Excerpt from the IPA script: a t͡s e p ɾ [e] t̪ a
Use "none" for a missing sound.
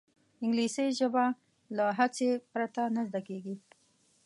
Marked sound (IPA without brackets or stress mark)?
a